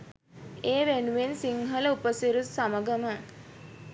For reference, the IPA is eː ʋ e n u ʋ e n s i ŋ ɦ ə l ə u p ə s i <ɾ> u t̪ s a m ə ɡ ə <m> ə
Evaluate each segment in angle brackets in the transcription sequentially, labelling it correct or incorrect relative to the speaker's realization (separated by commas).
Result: correct, correct